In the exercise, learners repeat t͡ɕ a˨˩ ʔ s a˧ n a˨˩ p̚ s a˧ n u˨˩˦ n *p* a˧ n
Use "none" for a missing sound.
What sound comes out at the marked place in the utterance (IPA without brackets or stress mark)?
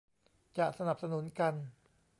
k